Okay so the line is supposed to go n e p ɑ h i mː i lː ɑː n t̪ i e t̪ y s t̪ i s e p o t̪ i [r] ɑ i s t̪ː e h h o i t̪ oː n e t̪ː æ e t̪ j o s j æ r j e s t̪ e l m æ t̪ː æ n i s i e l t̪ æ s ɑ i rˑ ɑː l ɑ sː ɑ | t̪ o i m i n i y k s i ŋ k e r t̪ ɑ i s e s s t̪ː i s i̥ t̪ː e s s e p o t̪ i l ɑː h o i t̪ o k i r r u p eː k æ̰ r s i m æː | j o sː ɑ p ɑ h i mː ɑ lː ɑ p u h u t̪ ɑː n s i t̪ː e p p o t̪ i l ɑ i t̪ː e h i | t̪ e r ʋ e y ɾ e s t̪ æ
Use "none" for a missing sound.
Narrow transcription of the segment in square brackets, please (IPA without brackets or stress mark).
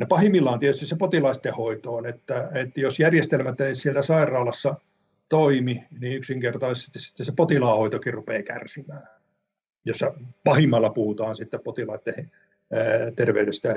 l